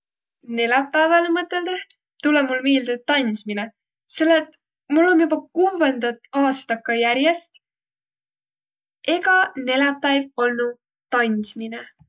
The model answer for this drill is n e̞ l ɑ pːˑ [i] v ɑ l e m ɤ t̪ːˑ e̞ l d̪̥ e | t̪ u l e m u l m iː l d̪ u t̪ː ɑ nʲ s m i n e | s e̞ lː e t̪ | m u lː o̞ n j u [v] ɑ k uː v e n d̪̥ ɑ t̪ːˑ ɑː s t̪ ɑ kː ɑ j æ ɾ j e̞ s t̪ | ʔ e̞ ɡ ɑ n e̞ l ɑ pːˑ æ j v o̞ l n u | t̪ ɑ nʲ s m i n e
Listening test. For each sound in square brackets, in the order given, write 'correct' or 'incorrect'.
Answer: incorrect: æ, incorrect: b

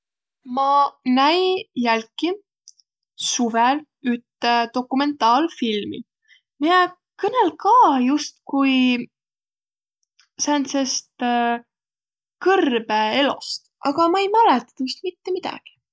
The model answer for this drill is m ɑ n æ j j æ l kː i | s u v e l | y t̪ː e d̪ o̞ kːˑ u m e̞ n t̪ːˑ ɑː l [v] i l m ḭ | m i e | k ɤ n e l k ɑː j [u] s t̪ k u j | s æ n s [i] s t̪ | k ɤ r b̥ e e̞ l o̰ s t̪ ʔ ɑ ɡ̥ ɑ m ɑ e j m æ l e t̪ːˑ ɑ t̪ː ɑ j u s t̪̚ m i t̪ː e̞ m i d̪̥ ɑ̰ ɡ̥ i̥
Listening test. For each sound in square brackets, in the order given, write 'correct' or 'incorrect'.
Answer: incorrect: f, correct, incorrect: e

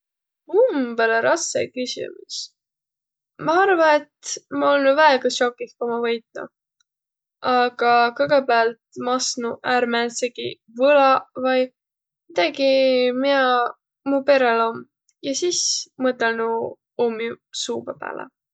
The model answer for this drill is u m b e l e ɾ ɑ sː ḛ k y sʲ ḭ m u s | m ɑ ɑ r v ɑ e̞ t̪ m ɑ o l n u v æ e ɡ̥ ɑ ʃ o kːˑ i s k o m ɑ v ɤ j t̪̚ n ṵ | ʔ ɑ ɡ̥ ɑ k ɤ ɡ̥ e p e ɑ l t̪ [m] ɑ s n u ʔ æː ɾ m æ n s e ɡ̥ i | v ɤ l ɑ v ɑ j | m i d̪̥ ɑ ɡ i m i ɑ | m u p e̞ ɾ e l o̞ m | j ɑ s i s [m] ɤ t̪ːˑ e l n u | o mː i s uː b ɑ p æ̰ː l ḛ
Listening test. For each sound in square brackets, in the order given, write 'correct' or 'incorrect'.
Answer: correct, correct

